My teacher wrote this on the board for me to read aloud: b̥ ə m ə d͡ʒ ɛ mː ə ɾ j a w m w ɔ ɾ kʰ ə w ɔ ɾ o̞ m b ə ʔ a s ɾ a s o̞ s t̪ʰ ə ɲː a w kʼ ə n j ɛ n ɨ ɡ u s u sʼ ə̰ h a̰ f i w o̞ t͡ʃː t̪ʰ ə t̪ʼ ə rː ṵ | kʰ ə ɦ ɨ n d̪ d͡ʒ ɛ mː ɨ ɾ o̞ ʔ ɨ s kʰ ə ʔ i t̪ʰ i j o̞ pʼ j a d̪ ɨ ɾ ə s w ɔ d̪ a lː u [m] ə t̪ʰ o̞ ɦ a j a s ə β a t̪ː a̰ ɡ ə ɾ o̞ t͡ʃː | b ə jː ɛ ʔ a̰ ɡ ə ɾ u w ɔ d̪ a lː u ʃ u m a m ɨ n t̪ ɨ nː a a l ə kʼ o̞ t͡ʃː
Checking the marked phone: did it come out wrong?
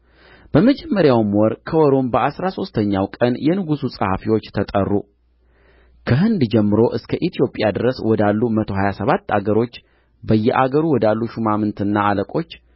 no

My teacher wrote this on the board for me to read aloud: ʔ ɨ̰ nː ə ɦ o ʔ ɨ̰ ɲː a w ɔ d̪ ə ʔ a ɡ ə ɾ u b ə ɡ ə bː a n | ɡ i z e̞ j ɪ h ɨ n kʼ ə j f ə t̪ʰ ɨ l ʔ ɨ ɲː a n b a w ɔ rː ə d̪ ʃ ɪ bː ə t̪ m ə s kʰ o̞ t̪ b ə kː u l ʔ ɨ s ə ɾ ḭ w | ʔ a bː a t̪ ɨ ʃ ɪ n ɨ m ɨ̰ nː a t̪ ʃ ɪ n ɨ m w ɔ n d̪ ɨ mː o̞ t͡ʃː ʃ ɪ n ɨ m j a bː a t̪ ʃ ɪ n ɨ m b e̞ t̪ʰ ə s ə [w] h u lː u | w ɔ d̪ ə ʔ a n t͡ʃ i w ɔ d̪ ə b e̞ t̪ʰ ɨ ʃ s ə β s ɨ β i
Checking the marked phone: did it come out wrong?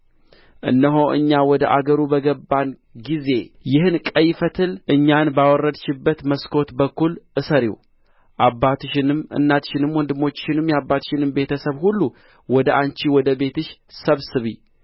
yes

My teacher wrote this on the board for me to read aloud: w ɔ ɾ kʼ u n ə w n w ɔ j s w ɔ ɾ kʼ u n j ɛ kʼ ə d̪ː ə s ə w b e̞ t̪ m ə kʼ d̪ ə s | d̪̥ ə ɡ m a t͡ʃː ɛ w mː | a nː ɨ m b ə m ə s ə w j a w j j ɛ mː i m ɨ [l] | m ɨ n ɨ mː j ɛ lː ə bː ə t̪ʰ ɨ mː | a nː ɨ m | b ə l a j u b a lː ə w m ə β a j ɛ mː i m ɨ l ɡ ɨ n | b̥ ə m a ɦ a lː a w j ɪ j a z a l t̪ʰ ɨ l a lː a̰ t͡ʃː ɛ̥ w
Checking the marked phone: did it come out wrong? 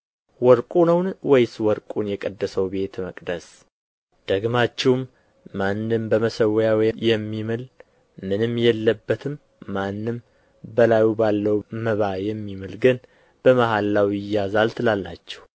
no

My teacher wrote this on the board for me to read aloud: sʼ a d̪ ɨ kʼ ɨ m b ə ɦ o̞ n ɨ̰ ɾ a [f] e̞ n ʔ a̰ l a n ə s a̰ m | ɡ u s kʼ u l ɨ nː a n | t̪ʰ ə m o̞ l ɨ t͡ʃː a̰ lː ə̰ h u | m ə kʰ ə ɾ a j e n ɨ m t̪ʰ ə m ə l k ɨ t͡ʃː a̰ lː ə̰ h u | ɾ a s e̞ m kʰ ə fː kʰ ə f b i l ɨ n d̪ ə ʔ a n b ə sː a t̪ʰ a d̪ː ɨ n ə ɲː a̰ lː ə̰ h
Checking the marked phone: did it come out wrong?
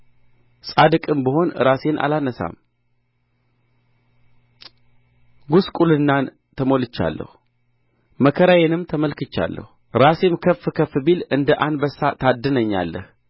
yes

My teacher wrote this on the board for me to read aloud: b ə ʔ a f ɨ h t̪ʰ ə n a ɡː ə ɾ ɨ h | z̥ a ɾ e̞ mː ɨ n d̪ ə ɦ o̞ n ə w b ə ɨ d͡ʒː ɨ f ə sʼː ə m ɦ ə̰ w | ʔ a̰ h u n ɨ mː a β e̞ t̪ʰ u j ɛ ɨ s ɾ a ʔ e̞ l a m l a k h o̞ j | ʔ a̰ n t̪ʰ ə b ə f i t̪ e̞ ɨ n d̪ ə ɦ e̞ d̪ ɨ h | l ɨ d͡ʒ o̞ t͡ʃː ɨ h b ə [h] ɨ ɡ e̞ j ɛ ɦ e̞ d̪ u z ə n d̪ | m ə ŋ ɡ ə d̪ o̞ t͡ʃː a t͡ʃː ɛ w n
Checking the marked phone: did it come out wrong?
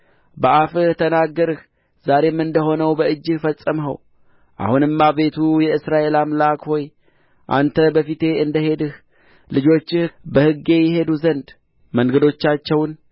no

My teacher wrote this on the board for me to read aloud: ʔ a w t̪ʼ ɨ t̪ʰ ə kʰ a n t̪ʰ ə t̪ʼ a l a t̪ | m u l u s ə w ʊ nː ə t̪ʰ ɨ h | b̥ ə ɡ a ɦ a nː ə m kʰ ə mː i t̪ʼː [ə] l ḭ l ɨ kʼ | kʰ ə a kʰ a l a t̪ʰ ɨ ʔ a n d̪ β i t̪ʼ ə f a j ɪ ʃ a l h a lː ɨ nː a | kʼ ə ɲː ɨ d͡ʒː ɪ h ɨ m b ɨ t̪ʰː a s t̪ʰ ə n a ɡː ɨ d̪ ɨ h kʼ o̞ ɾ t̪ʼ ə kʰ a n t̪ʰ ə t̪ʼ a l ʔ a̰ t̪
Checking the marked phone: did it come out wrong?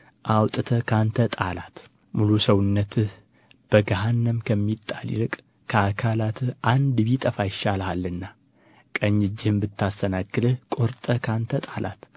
yes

